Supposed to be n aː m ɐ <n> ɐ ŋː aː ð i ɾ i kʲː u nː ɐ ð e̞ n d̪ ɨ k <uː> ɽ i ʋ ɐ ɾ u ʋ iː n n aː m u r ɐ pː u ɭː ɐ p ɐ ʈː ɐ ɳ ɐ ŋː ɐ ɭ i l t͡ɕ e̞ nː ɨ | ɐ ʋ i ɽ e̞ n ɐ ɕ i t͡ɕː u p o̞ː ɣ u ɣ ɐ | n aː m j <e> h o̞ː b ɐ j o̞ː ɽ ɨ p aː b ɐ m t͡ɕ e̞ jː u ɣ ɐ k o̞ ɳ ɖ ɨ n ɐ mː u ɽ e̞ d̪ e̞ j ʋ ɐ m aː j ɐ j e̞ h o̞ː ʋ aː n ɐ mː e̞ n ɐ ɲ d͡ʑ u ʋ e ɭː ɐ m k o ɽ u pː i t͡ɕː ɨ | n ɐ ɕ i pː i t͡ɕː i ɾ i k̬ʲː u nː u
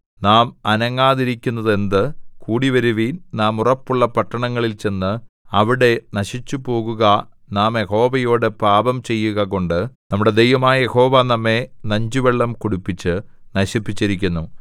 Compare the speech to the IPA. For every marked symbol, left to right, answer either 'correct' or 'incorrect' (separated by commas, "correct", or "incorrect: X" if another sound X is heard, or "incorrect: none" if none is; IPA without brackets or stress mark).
correct, correct, correct